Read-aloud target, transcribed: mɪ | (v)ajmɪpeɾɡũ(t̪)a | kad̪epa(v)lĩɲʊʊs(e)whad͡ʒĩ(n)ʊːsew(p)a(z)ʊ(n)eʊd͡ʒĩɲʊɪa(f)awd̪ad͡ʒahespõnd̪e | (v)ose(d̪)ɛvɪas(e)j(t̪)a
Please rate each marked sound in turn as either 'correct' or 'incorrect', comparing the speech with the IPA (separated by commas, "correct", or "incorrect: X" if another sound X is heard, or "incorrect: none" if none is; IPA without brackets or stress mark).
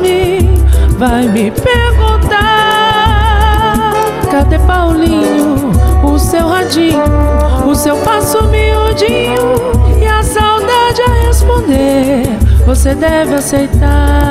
correct, correct, incorrect: w, correct, incorrect: ɲ, correct, incorrect: s, incorrect: m, incorrect: s, correct, correct, correct, correct